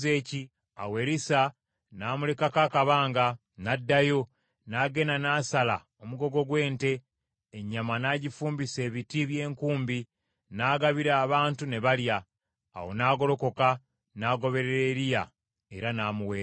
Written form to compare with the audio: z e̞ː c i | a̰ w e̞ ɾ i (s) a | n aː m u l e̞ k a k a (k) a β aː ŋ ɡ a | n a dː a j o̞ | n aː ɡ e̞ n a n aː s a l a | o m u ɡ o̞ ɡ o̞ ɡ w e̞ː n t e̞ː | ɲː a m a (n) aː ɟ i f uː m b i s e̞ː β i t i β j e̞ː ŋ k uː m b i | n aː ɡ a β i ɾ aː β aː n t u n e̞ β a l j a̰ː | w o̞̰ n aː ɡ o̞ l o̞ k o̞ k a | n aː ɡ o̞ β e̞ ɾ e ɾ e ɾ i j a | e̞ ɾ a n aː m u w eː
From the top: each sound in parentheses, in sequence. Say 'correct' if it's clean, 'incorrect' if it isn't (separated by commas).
correct, correct, correct